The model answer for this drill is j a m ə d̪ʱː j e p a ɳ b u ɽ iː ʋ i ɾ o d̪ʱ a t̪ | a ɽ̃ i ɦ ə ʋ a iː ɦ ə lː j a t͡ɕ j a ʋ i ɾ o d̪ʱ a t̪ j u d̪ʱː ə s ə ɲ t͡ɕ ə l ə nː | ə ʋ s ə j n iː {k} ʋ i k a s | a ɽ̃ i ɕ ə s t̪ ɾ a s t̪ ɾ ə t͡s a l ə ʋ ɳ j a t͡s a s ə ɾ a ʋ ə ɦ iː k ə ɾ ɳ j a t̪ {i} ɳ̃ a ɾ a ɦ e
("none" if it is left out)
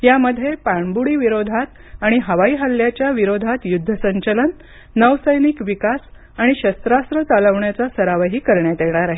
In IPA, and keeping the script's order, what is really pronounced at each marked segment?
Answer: k, e

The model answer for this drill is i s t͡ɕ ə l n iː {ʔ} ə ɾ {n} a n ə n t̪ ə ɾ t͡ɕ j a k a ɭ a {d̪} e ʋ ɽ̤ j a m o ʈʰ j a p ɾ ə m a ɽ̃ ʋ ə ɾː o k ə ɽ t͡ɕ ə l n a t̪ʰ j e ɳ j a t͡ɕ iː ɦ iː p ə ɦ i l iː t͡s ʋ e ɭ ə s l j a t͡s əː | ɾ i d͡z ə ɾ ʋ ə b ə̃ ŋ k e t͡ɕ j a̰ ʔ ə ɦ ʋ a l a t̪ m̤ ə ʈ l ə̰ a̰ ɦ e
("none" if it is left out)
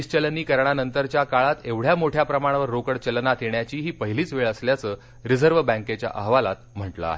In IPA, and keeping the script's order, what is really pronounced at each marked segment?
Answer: k, ɳ, t̪

